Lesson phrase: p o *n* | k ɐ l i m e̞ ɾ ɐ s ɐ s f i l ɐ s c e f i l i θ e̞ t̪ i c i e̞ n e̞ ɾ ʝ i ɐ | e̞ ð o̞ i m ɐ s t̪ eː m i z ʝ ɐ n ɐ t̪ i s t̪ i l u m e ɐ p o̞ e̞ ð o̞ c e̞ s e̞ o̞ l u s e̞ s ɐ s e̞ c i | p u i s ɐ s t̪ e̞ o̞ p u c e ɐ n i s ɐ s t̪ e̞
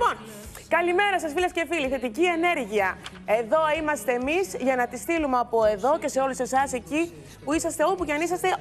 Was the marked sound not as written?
no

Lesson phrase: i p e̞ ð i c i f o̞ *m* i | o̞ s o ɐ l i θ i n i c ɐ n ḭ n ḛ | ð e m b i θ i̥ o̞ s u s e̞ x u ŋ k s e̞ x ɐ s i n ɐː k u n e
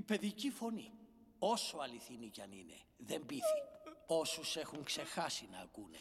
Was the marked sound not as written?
yes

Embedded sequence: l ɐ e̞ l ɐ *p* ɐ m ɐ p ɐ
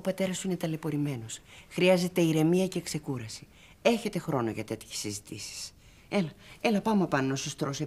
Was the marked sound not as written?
no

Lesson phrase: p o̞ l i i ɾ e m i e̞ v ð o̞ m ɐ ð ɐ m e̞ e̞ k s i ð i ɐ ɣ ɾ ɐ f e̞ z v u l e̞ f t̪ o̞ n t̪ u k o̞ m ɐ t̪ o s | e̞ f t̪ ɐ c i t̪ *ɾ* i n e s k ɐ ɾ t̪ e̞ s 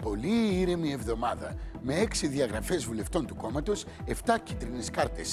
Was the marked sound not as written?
no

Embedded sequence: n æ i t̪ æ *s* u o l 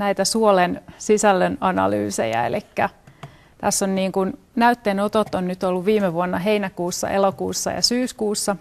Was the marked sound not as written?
no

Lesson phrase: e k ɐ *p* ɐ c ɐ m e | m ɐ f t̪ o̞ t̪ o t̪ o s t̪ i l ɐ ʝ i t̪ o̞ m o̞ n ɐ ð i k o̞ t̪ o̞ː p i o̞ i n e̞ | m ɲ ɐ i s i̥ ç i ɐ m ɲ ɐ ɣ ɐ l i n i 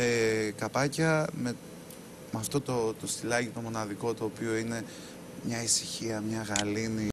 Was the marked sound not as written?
no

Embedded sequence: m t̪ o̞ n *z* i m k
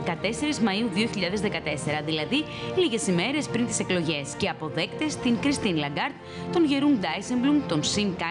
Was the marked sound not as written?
yes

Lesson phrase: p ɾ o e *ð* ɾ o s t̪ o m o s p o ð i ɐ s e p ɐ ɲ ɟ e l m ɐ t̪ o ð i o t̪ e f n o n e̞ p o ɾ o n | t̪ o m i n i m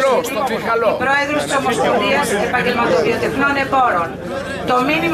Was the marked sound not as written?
no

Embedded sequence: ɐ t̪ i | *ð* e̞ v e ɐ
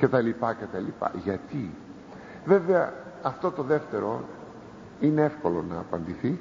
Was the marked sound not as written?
yes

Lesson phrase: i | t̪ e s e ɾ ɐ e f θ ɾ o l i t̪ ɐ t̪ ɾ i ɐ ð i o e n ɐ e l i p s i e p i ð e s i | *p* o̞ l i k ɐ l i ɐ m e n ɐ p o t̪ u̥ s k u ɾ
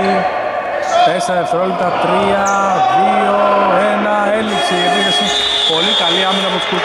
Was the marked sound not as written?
no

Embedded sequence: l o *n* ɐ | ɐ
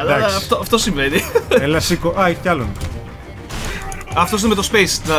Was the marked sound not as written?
no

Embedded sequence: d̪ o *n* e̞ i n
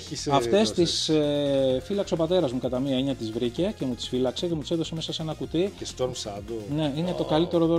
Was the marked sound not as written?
no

